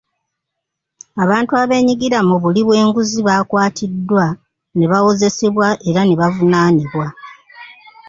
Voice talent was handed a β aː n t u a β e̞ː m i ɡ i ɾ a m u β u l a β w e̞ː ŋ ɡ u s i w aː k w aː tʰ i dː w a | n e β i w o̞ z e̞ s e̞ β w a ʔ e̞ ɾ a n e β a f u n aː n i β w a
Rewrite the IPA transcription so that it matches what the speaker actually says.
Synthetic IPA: a β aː n t u a β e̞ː ɲ i ɡ i ɾ a m u β u l i β w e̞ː ŋ ɡ u z i β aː k w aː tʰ i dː w a | n e β a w o̞ z e̞ s e̞ β w a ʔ e̞ ɾ a n e β a v u n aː n i β w a